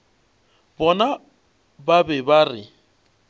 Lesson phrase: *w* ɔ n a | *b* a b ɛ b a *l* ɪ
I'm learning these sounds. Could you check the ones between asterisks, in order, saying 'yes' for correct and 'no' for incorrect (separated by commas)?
no, yes, no